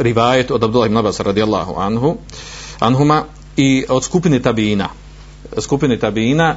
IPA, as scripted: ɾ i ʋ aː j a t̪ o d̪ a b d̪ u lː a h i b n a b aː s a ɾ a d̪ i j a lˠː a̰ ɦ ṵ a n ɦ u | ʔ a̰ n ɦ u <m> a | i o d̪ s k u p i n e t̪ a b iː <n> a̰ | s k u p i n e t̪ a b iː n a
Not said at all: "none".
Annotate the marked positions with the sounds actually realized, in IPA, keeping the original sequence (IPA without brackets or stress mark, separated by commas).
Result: m, n